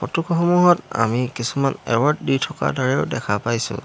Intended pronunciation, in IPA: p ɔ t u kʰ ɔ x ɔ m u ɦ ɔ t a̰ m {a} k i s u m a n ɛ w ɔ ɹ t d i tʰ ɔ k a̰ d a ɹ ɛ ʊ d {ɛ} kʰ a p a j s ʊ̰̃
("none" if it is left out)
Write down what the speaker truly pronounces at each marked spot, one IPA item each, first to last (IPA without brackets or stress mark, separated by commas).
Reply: i, ɛ